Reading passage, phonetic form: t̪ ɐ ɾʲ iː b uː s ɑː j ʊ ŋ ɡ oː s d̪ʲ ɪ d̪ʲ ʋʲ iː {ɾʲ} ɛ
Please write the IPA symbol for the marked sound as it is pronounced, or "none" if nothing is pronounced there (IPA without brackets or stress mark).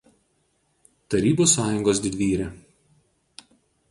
ɾʲ